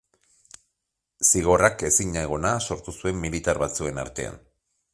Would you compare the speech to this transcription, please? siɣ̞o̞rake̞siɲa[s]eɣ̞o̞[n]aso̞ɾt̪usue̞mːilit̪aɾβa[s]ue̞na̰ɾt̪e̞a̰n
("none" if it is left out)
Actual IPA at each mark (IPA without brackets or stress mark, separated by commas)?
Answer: none, n, t͡s